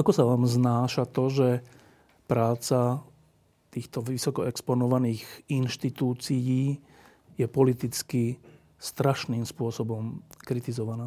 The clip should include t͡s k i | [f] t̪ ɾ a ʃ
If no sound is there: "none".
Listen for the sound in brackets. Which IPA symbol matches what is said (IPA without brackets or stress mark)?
s